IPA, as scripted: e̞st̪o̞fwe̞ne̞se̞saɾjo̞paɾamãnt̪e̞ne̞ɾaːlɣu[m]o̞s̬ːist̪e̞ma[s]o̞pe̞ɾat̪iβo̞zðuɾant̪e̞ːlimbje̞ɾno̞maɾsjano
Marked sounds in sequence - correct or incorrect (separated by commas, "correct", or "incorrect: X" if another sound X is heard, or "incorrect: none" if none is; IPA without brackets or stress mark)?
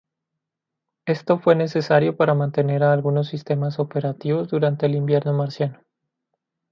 incorrect: n, correct